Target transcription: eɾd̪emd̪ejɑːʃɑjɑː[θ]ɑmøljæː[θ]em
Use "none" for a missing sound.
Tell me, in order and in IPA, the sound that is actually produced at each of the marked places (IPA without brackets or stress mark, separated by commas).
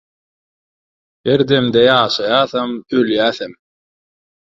θ, θ